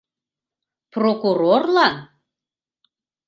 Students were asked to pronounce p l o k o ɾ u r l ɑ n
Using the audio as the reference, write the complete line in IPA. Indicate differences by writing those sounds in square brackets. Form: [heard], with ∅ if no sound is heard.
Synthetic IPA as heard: p [r] o k [u] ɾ [o] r l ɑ n